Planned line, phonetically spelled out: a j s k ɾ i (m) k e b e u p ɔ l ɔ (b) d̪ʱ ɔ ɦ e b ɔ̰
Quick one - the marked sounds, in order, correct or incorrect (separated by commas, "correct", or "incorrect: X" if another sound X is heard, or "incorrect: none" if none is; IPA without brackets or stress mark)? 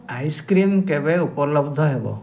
correct, correct